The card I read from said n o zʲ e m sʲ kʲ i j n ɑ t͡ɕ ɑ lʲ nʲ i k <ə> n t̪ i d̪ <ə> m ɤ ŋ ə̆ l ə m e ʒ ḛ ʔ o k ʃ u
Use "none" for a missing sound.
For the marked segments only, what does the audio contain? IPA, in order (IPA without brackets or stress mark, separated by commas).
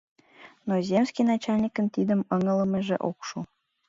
ə, ə